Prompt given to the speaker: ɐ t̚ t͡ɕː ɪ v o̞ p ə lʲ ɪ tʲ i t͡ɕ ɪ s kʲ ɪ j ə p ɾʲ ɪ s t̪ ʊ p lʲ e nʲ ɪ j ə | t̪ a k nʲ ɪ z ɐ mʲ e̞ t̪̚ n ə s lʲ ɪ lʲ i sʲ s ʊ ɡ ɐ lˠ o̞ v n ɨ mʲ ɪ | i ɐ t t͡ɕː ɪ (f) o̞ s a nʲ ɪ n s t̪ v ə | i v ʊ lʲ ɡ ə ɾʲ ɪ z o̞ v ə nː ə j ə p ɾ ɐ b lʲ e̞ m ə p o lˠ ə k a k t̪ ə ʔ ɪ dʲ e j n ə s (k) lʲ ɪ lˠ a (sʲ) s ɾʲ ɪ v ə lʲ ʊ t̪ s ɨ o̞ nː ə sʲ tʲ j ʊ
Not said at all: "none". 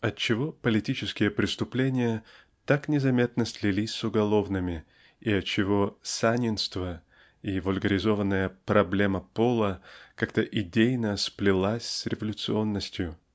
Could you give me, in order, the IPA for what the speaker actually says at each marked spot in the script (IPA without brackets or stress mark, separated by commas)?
v, p, sʲ